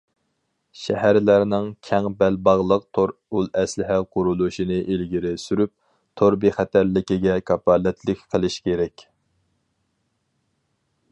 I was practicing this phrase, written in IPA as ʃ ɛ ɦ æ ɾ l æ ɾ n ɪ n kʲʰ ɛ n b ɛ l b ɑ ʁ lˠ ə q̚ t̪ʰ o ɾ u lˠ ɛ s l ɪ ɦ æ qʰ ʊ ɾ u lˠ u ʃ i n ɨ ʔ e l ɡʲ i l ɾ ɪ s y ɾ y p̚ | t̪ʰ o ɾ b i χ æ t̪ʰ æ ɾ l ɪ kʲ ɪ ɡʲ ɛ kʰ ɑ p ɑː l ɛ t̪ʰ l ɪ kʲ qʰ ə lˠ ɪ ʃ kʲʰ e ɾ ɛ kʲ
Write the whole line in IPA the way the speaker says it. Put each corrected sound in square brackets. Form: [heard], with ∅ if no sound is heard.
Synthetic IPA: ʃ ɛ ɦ æ ɾ l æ ɾ n ɪ [ŋ] kʲʰ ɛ [ŋ] b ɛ l b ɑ ʁ lˠ ə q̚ t̪ʰ o ɾ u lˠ ɛ s l ɪ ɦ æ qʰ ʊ ɾ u lˠ u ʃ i n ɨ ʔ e l ɡʲ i [∅] ɾ ɪ s y ɾ y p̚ | t̪ʰ o ɾ b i χ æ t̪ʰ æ ɾ l ɪ kʲ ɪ ɡʲ ɛ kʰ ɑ p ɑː l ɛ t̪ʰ l ɪ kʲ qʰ ə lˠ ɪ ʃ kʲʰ e ɾ ɛ kʲ